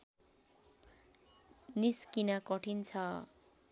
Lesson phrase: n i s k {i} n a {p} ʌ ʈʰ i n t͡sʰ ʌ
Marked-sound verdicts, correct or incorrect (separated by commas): correct, incorrect